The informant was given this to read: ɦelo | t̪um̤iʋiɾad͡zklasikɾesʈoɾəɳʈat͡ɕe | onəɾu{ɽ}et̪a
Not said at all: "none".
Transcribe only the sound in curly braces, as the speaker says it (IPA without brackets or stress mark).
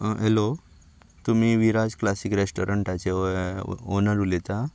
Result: l